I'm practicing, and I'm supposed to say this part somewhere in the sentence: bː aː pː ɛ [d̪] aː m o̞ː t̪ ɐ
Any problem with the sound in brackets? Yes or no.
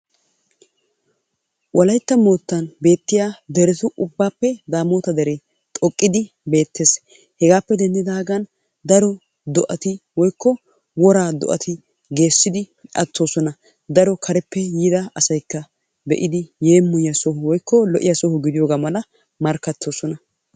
no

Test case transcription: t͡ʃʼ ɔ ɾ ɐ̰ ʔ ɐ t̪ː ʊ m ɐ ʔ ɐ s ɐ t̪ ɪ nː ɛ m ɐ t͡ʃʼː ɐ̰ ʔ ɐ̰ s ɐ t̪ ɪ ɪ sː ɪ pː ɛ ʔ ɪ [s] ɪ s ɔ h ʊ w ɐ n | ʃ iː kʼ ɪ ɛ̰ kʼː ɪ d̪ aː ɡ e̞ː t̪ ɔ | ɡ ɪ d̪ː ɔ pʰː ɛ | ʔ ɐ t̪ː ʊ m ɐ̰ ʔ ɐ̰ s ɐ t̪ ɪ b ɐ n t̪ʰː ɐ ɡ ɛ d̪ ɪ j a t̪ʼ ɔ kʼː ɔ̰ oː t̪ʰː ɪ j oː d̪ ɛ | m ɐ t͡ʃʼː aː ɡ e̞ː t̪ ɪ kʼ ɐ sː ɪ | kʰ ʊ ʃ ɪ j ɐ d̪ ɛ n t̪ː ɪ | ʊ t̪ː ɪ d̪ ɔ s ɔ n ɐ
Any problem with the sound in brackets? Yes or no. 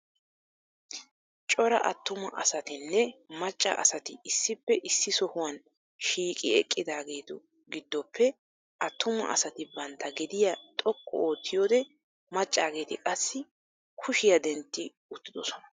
yes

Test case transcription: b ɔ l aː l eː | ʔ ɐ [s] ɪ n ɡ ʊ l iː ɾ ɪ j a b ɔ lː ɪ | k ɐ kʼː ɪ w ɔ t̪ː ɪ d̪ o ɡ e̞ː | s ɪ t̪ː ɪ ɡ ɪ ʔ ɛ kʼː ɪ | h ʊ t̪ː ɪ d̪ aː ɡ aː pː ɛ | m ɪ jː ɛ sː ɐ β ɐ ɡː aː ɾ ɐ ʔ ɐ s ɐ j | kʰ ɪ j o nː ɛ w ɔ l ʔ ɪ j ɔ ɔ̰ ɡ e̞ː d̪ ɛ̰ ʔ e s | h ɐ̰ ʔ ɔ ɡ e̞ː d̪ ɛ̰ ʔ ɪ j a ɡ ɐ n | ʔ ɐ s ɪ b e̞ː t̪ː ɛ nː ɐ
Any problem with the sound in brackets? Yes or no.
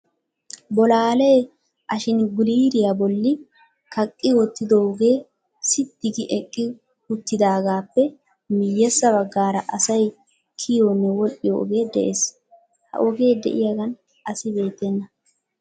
yes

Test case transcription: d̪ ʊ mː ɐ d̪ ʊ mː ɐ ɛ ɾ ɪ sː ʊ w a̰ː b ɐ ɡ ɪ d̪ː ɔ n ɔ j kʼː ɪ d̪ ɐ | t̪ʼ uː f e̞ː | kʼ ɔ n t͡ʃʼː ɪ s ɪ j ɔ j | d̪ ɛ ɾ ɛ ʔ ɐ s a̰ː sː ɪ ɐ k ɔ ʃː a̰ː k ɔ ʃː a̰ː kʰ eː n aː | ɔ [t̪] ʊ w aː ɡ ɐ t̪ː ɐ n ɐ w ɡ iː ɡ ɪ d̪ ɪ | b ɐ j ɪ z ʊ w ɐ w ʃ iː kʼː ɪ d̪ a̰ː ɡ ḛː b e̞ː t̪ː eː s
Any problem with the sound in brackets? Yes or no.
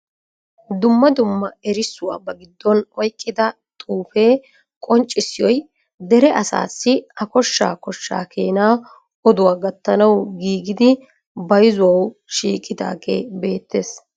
yes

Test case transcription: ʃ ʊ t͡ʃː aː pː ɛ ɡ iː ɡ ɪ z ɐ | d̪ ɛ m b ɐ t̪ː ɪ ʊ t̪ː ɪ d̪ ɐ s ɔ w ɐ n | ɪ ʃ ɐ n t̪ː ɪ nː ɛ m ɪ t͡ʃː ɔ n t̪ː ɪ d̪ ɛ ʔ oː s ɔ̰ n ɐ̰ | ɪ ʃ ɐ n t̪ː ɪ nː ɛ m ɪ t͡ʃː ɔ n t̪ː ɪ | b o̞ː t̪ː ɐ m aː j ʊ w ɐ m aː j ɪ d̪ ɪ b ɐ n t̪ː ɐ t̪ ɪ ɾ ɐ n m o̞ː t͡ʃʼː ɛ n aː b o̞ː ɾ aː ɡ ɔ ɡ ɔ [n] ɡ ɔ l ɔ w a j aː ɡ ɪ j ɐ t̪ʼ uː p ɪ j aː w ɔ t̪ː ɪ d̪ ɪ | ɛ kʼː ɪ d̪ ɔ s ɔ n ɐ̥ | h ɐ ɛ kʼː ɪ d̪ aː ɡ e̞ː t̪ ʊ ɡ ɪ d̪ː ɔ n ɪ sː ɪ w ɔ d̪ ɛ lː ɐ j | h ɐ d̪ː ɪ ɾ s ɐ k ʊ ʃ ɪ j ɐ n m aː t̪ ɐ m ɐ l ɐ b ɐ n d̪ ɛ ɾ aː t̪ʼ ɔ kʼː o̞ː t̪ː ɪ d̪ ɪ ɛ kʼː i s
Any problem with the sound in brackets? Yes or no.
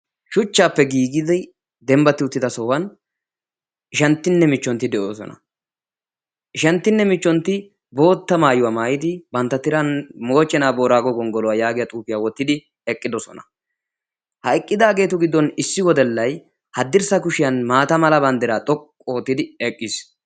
yes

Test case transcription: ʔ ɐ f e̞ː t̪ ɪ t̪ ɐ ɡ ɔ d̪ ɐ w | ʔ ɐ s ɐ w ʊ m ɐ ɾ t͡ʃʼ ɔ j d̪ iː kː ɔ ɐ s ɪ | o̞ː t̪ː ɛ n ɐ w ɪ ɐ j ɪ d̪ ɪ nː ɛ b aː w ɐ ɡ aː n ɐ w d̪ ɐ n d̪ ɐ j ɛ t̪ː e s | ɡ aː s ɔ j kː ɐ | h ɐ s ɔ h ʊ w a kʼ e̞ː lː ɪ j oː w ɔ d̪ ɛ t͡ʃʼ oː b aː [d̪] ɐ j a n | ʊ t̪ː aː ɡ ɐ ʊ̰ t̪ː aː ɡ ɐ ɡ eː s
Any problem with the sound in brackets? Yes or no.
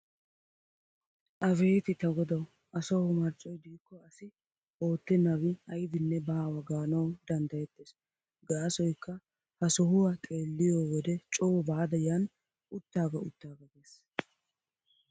no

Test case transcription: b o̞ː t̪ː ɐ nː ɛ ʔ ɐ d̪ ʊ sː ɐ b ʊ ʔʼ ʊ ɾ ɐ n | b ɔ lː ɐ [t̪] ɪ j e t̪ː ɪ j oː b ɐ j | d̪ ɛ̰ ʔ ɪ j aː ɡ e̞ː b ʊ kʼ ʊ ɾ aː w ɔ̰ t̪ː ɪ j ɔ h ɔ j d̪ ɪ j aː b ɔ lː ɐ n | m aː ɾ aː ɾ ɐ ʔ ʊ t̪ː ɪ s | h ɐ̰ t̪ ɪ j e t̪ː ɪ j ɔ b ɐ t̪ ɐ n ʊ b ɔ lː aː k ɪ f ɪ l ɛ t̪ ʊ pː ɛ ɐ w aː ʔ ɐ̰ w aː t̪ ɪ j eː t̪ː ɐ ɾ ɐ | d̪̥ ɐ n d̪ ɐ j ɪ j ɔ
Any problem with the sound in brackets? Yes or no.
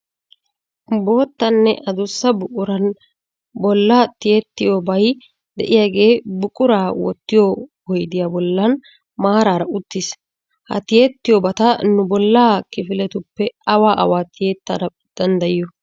no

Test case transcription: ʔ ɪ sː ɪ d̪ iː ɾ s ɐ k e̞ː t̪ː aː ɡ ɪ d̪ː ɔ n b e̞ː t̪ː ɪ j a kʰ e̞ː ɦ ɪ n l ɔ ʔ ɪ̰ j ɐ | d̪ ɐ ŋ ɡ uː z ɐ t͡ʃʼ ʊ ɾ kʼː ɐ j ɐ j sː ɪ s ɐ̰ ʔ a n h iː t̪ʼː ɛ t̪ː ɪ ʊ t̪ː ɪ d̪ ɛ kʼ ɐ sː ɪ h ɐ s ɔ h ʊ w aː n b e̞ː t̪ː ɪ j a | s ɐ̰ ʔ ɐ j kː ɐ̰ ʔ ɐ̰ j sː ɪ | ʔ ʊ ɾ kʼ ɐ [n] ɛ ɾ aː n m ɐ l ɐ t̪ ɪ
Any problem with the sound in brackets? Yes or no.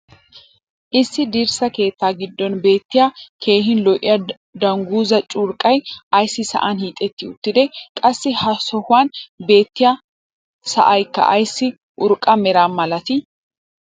yes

